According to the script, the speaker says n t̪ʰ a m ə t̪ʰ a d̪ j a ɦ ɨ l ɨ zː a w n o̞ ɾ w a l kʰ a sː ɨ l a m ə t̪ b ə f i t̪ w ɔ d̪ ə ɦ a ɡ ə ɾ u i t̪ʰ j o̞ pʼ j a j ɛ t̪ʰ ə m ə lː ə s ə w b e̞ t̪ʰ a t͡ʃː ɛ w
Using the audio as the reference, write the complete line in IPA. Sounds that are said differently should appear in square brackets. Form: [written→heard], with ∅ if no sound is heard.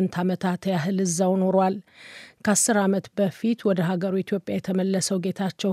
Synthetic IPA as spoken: n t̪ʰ a m ə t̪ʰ a [d̪→t̪] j a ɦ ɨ l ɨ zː a w n o̞ ɾ w a l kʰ a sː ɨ [l→ɾ] a m ə t̪ b ə f i t̪ w ɔ d̪ ə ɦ a ɡ ə ɾ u i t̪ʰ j o̞ pʼ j a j ɛ t̪ʰ ə m ə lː ə s ə w [b→ɡ] e̞ t̪ʰ a t͡ʃː ɛ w